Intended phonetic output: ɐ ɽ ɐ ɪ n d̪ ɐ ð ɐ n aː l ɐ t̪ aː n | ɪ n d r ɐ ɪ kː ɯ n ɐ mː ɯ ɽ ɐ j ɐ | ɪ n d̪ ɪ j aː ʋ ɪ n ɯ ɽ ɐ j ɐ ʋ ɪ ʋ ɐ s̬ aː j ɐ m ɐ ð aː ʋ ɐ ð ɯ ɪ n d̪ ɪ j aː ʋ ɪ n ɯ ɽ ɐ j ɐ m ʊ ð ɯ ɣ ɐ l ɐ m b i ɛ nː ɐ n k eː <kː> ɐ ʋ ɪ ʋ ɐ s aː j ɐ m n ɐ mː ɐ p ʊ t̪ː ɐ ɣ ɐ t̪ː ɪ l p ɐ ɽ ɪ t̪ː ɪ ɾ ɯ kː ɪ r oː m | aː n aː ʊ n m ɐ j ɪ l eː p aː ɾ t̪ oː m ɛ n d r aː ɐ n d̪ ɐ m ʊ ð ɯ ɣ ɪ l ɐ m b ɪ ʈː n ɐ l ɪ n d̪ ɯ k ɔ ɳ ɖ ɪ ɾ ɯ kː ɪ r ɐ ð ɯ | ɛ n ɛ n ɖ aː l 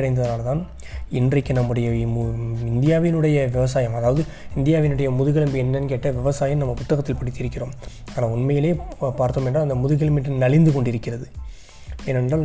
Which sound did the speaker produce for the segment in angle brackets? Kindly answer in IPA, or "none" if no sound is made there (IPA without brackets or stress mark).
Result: ʈː